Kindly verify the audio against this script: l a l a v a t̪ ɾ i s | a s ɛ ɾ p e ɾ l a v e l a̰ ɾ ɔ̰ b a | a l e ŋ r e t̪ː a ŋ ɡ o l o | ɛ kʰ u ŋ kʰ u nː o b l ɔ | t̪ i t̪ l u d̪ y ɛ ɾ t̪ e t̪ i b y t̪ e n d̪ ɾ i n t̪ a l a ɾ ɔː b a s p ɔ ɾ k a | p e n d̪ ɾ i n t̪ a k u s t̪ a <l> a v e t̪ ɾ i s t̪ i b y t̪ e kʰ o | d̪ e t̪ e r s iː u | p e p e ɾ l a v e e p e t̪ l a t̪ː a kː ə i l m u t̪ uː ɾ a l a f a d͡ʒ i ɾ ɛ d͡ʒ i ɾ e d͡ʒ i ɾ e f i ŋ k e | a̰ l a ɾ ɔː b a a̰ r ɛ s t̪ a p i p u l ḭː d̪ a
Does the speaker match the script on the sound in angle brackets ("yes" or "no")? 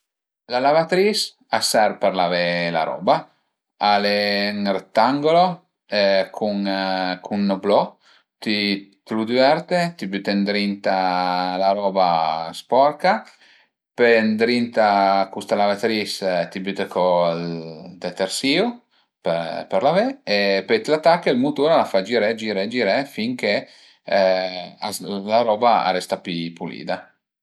yes